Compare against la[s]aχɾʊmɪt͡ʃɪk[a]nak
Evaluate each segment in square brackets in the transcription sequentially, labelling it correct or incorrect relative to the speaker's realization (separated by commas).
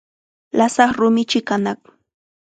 correct, correct